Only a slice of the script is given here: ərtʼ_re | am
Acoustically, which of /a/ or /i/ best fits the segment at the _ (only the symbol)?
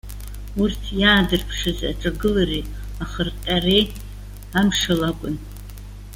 a